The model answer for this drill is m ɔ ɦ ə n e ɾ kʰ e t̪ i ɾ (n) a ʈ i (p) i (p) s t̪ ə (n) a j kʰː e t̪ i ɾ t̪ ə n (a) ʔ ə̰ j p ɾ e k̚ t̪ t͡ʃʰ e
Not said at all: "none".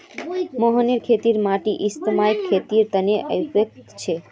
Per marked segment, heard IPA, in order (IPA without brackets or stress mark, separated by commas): m, ʔ, none, m, e